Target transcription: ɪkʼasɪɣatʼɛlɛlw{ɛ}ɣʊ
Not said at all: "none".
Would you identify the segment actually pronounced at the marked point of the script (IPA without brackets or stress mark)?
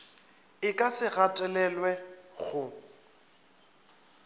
ɛ